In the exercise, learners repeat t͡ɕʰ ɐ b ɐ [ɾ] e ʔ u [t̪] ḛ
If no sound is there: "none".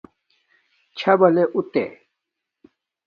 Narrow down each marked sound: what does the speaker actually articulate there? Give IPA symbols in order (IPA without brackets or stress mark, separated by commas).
l, t̪